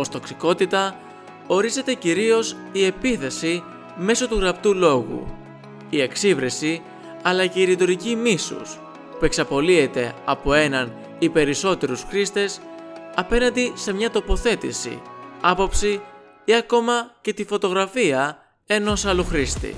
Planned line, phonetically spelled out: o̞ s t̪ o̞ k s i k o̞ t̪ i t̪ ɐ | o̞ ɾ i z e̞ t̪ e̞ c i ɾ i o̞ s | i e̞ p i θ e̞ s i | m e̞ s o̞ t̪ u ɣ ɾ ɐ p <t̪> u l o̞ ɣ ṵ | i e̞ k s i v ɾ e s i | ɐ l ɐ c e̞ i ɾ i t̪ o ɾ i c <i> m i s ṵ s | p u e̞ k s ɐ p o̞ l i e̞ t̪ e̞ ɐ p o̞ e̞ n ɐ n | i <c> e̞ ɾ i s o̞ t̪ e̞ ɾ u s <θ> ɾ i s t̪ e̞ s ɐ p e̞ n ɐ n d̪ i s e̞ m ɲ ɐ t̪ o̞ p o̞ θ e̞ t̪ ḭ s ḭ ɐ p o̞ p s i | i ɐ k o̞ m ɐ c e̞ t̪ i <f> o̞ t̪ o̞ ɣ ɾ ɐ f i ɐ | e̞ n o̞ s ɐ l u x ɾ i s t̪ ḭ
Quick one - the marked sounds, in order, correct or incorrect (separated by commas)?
correct, correct, incorrect, incorrect, correct